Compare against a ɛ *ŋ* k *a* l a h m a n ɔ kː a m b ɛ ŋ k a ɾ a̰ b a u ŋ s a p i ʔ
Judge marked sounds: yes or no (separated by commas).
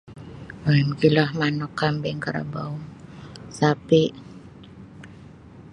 no, no